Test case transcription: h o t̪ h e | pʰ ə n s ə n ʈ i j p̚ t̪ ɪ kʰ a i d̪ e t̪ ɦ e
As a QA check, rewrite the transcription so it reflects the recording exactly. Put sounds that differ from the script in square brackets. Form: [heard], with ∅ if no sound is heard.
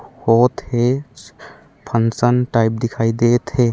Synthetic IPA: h o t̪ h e | pʰ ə n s ə n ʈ [a] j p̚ [d̪] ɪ kʰ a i d̪ e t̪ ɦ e